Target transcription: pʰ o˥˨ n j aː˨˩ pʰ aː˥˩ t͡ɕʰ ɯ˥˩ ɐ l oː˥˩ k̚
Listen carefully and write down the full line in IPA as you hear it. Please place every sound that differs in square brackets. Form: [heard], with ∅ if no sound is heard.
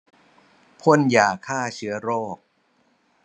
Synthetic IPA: pʰ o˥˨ n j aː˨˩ [kʰ] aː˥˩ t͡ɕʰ [ɯ˩˦˥] ɐ [ɾ] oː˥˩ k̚